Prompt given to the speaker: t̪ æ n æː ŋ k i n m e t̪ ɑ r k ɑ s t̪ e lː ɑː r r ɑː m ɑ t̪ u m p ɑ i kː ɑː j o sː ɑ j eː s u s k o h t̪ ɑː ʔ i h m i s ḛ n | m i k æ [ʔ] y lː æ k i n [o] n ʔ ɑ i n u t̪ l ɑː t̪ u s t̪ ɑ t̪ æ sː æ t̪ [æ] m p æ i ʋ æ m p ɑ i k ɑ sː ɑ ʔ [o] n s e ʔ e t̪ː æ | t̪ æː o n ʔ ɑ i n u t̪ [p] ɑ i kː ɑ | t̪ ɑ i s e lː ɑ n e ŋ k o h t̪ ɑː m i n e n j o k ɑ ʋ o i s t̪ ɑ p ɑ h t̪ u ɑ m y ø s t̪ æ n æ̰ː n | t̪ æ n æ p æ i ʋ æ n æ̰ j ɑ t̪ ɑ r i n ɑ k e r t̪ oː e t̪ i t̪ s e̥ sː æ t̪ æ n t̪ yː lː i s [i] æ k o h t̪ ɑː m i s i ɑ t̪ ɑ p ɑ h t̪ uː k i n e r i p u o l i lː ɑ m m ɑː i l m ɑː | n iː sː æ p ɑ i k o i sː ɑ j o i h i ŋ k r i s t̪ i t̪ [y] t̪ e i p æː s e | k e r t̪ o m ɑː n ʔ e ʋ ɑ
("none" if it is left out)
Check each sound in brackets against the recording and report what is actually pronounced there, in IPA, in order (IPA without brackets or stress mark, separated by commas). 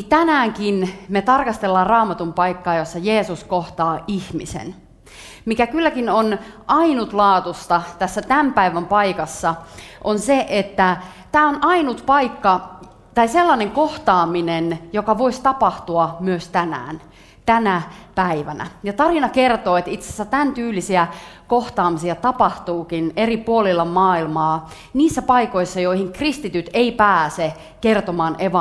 k, o, æ, o, p, i, y